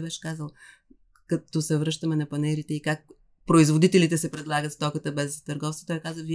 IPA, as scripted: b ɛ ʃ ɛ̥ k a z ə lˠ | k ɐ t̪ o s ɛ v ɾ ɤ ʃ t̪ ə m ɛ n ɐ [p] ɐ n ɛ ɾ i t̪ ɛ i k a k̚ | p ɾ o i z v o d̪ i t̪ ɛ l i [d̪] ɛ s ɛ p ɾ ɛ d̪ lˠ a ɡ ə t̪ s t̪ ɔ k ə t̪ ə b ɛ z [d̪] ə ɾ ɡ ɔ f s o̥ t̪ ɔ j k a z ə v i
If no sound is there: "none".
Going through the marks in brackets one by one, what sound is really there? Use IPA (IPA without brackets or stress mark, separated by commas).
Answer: p, t̪, t̪